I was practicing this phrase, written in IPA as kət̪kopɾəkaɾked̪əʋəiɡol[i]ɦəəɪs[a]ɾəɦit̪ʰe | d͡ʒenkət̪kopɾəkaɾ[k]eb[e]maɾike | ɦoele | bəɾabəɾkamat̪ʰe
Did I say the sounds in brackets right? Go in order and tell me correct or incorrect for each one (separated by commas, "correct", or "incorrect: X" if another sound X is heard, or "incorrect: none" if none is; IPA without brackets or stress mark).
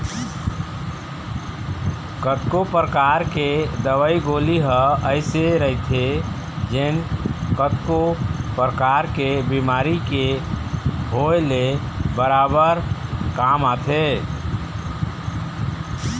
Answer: correct, incorrect: e, correct, incorrect: i